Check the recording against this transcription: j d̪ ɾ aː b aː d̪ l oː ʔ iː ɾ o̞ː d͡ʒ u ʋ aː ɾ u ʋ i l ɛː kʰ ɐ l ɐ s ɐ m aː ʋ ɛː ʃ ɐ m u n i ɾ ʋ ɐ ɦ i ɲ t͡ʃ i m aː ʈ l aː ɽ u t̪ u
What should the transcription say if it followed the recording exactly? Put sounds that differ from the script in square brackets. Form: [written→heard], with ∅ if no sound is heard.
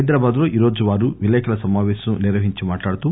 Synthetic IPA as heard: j d̪ ɾ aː b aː d̪ l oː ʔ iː ɾ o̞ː d͡ʒ u ʋ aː ɾ u ʋ i l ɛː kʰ ɐ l ɐ s ɐ m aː ʋ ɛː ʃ ɐ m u n i ɾ ʋ ɐ ɦ i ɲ t͡ʃ i m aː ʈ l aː ɽ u t̪ u

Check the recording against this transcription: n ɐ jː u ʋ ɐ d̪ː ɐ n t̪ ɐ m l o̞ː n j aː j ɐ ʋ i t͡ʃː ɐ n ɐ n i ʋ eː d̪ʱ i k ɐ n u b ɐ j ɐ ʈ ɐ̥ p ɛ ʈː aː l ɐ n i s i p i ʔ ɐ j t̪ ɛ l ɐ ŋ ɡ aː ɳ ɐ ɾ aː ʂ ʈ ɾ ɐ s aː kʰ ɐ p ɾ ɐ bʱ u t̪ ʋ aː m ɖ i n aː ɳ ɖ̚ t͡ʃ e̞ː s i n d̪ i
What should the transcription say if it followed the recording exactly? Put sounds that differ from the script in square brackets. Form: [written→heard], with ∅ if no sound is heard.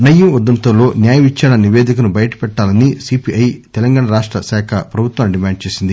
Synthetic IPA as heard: n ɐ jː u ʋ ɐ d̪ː ɐ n t̪ ɐ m l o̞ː n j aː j ɐ ʋ i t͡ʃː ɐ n ɐ n i ʋ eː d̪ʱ i k ɐ n u b ɐ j ɐ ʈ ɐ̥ p ɛ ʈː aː l ɐ n i s i p i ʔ ɐ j t̪ ɛ l ɐ ŋ ɡ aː ɳ ɐ ɾ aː ʂ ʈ ɾ ɐ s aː kʰ ɐ p ɾ ɐ bʱ u t̪ ʋ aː m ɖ i [n→m] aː ɳ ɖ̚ t͡ʃ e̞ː s i n d̪ i

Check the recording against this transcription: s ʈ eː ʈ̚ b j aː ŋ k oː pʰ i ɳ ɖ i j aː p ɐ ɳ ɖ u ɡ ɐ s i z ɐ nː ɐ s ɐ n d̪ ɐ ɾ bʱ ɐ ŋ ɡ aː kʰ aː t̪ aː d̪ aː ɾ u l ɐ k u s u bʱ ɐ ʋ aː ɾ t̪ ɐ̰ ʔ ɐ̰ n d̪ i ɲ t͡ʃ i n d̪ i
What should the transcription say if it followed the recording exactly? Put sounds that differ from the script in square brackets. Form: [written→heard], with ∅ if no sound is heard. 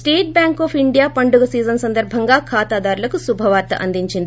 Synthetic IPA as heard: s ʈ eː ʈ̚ b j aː ŋ k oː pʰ i ɳ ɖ i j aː p ɐ ɳ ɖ u ɡ ɐ s [i→iː] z ɐ [nː→n] ɐ s ɐ n d̪ ɐ ɾ bʱ ɐ ŋ ɡ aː kʰ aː t̪ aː d̪ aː ɾ u l ɐ k u s u bʱ ɐ ʋ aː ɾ t̪ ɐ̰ ʔ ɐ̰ n d̪ i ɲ t͡ʃ i n d̪ i

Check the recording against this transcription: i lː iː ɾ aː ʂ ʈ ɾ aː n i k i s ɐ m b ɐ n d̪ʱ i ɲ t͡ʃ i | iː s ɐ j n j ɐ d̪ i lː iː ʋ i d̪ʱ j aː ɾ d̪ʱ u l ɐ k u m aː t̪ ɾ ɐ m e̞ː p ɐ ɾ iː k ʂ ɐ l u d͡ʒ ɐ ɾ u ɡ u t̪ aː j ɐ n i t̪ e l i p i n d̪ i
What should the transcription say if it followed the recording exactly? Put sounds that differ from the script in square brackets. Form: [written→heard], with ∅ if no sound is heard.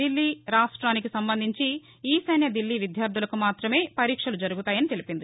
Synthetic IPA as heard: i lː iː ɾ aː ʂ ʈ ɾ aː n i k i s ɐ m b ɐ n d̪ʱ i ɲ t͡ʃ i | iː s ɐ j n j ɐ d̪ i lː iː ʋ i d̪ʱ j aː ɾ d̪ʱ u l ɐ k u m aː t̪ ɾ ɐ m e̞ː p ɐ ɾ iː k ʂ ɐ l u d͡ʒ ɐ ɾ u ɡ u t̪ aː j ɐ n i t̪ e l i p i n d̪ i

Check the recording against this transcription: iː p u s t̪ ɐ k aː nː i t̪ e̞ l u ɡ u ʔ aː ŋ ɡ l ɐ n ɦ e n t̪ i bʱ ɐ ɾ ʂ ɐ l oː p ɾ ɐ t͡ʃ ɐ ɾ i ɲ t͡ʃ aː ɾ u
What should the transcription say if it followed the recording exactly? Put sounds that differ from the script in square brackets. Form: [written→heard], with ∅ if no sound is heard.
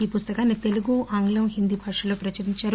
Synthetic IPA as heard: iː p u s t̪ ɐ k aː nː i t̪ e̞ l u ɡ u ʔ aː ŋ ɡ l ɐ [n→m] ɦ [e→i] n [t̪→d̪] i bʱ ɐ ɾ ʂ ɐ l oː p ɾ ɐ t͡ʃ ɐ ɾ i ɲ t͡ʃ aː ɾ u

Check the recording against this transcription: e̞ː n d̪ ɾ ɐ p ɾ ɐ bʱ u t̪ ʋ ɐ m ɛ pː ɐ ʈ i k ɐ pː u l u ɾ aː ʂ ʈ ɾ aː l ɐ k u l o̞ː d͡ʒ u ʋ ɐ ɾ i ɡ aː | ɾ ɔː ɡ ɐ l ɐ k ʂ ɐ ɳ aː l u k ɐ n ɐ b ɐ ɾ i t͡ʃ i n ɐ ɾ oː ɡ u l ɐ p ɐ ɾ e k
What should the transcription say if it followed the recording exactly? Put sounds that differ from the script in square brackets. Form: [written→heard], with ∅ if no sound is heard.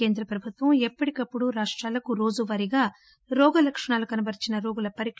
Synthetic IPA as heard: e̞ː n d̪ ɾ ɐ p ɾ ɐ bʱ u t̪ ʋ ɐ m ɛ pː ɐ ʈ i k ɐ pː u [l→ɽ] u ɾ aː ʂ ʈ ɾ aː l ɐ k u [l→ɾ] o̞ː d͡ʒ u ʋ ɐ ɾ i ɡ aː | ɾ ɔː ɡ ɐ l ɐ k ʂ ɐ ɳ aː l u k ɐ n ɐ b ɐ ɾ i t͡ʃ i n ɐ ɾ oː ɡ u l ɐ p ɐ ɾ [e→i] k

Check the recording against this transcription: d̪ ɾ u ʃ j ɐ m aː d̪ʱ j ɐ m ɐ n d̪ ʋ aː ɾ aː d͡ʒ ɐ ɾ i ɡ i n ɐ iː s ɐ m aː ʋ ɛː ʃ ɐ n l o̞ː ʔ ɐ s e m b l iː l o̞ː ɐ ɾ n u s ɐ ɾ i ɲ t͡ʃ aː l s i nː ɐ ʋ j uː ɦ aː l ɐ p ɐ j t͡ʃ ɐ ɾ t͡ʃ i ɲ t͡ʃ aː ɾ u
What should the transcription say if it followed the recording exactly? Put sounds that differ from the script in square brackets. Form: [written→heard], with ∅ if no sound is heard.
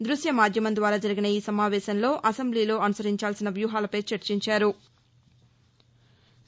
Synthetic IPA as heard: d̪ ɾ u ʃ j ɐ m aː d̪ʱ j ɐ m ɐ n d̪ ʋ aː ɾ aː d͡ʒ ɐ ɾ i ɡ i n ɐ iː s ɐ m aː ʋ ɛː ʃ ɐ n l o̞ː ʔ ɐ s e m b l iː l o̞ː ɐ [ɾ→∅] n u s ɐ ɾ i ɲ t͡ʃ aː l s i [nː→n] ɐ ʋ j uː ɦ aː l ɐ p ɐ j t͡ʃ ɐ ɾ t͡ʃ i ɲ t͡ʃ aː ɾ u

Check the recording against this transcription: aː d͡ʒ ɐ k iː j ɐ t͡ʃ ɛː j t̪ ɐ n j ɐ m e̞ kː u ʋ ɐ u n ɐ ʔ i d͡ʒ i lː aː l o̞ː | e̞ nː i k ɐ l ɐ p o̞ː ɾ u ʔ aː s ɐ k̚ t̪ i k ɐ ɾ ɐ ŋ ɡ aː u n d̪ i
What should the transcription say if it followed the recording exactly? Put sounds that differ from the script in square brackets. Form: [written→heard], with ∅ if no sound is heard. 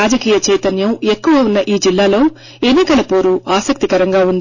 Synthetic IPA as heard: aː d͡ʒ ɐ k iː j ɐ t͡ʃ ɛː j t̪ ɐ n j ɐ m e̞ kː u ʋ ɐ u [n→nː] ɐ ʔ [i→iː] d͡ʒ i lː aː l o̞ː | e̞ nː i k ɐ l ɐ p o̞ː ɾ u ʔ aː s ɐ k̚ t̪ i k ɐ ɾ ɐ ŋ ɡ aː u n d̪ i

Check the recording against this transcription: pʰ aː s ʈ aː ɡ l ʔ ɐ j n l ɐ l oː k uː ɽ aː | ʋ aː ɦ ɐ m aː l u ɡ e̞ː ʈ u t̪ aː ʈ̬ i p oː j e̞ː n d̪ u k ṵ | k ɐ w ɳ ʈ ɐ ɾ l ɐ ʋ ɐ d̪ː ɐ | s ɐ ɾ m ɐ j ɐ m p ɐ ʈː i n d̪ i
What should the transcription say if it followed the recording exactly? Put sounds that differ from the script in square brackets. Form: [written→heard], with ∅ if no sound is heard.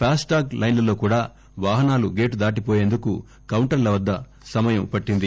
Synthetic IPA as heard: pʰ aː s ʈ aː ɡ l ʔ ɐ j n l ɐ l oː k uː ɽ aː | ʋ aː ɦ ɐ [m→n] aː l u ɡ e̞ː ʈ u [t̪→d̪] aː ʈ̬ i p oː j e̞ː n d̪ u k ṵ | k ɐ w ɳ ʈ ɐ ɾ l ɐ ʋ ɐ d̪ː ɐ | s ɐ [ɾ→∅] m ɐ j ɐ m p ɐ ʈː i n d̪ i

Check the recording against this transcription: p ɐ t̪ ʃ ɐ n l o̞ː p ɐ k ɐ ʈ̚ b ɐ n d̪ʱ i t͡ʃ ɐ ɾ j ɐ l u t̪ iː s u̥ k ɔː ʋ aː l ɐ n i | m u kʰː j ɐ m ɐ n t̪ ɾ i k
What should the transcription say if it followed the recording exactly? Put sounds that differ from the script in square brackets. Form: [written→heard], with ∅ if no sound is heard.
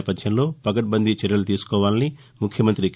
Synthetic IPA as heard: p ɐ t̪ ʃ ɐ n l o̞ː p ɐ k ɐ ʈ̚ b ɐ n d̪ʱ i t͡ʃ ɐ ɾ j ɐ l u t̪ iː s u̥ k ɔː ʋ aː l ɐ n i | m u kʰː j ɐ m ɐ n t̪ ɾ i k

